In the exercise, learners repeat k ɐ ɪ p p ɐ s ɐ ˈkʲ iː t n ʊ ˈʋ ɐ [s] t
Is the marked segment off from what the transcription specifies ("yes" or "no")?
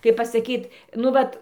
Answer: yes